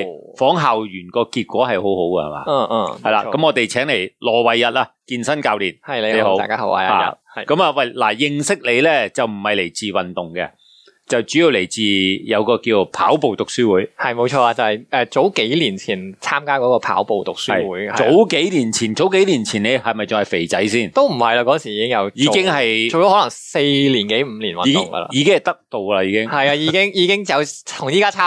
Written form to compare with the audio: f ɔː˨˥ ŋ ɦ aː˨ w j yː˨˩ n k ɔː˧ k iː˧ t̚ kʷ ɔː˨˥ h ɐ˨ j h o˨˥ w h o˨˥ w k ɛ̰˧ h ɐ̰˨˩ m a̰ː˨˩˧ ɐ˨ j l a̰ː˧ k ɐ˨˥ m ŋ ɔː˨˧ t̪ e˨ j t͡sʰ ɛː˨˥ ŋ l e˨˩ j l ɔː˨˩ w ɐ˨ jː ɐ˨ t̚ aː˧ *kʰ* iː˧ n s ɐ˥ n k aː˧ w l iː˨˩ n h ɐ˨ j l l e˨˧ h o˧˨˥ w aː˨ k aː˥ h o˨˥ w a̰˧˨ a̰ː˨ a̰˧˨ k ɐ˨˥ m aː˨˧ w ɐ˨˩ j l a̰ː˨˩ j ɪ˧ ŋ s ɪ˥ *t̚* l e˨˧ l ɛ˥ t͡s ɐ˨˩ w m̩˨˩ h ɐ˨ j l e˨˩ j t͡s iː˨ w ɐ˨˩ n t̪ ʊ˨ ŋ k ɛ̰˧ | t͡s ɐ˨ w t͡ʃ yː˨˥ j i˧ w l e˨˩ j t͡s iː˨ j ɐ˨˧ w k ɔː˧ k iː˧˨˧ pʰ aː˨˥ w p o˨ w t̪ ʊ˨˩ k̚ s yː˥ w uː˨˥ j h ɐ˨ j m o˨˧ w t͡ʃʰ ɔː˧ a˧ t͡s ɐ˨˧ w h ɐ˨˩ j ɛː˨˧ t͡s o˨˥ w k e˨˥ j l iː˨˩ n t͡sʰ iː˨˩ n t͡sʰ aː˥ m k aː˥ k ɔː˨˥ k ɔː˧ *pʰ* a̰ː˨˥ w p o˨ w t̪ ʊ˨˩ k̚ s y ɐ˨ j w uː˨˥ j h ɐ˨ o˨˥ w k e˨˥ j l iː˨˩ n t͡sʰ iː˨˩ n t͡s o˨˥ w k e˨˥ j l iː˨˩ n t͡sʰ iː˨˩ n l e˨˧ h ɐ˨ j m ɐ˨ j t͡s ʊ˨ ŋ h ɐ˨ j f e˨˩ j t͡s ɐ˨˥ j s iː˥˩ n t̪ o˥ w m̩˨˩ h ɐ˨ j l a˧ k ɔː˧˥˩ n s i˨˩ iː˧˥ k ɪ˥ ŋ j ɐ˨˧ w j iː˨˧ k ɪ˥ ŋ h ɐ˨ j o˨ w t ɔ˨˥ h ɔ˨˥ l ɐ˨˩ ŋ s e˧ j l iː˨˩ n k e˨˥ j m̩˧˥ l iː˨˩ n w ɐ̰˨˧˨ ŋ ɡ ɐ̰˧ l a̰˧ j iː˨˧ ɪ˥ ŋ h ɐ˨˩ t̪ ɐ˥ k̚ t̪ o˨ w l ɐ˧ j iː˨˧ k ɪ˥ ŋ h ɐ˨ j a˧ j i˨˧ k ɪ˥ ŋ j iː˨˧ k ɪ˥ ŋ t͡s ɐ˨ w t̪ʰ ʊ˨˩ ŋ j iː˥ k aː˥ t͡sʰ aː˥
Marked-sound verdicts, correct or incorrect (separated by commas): incorrect, incorrect, correct